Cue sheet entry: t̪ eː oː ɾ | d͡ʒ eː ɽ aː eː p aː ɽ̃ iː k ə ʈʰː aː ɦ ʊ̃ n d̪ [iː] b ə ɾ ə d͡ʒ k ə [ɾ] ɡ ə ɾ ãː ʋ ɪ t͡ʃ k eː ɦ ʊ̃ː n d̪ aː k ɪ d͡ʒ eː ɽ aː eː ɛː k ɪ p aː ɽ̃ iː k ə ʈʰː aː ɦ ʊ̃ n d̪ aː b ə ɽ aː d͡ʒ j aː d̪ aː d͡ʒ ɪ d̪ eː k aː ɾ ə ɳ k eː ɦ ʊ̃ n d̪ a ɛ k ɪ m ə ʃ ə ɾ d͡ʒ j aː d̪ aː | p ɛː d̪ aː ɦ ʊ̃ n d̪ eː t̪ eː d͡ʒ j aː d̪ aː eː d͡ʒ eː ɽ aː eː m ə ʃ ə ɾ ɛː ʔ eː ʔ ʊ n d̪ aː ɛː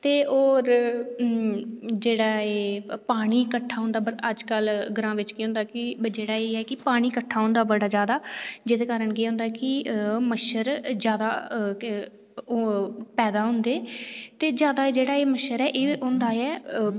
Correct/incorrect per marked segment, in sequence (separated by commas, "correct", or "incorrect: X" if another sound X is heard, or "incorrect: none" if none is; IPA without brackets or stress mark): incorrect: aː, incorrect: l